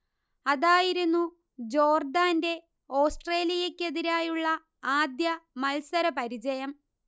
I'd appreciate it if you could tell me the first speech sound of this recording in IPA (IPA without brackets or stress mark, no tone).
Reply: ɐ